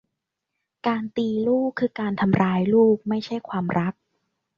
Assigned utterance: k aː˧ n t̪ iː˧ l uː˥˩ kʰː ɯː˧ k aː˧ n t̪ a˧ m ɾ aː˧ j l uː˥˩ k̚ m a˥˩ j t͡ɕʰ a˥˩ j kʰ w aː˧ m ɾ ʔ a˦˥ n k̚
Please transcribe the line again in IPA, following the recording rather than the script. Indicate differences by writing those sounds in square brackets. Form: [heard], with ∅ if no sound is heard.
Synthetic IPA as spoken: k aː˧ n t̪ iː˧ l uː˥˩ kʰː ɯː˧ k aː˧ n [t̪ʰ] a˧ m ɾ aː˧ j l uː˥˩ k̚ m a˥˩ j t͡ɕʰ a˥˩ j kʰ w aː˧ m ɾ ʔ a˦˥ [∅] k̚